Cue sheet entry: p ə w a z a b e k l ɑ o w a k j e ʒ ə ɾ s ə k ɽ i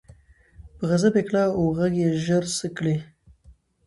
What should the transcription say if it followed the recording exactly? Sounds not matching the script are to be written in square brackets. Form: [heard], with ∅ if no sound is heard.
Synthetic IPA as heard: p ə [ɣ] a z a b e k l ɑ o [ɣ] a [ɡ] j e ʒ ə ɾ s ə k ɽ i

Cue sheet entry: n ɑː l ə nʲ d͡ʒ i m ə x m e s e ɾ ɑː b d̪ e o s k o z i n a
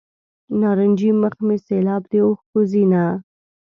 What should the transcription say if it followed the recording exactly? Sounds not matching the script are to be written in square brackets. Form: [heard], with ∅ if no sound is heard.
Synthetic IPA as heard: n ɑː [ɾ] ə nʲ d͡ʒ i m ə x m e s e [l] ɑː b d̪ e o [x] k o z i n a

